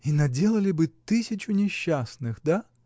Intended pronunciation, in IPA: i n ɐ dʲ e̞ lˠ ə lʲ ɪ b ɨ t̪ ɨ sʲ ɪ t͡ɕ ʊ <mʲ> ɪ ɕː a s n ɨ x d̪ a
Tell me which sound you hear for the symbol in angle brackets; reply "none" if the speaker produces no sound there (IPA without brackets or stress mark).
nʲ